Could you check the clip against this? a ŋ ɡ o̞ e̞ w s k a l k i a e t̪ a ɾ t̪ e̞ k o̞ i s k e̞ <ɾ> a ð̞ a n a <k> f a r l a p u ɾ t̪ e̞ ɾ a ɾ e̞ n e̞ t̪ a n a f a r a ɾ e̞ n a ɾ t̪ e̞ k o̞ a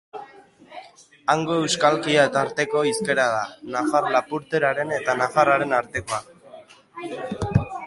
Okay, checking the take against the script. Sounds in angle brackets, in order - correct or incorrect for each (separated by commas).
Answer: correct, incorrect